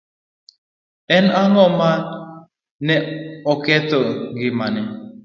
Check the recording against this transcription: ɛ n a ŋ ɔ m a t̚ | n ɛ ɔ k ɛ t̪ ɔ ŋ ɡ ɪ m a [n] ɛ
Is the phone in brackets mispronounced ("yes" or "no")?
no